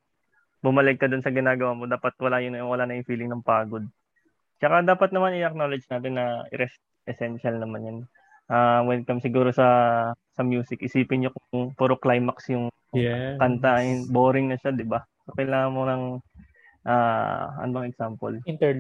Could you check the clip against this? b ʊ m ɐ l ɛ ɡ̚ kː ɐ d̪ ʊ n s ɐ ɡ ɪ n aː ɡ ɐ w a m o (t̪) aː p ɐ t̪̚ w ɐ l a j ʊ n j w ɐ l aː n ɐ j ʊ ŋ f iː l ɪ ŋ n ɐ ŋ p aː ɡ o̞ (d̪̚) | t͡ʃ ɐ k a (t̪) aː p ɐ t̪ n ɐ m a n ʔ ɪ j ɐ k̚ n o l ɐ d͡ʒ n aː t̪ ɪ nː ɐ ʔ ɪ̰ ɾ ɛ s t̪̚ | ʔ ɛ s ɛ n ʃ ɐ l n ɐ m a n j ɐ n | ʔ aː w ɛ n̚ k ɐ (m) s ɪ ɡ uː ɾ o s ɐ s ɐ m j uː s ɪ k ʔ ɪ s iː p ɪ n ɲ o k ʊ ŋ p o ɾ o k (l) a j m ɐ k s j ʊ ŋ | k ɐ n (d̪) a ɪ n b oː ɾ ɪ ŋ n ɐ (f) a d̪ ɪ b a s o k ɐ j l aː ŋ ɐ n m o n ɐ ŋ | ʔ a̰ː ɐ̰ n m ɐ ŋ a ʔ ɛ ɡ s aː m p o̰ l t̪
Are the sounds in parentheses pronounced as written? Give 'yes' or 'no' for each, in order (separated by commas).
no, yes, no, yes, yes, no, no